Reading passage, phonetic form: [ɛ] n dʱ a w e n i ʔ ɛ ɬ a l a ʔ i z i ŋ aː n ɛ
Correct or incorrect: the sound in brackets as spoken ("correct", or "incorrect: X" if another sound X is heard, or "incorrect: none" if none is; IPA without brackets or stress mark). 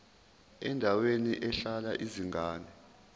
correct